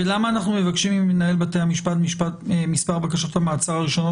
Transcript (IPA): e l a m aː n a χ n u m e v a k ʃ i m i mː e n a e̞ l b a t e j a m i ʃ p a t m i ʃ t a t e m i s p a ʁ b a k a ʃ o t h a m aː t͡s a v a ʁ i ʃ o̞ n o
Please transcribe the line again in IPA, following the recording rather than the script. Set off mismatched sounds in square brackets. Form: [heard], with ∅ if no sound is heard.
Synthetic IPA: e l a m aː n a χ n u m e v a k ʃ i m i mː e n a e̞ l b a t e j a m i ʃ p a t m i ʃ [p] a t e m i s p a ʁ b a k a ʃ o t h a m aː t͡s a [ʁ] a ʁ i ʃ o̞ n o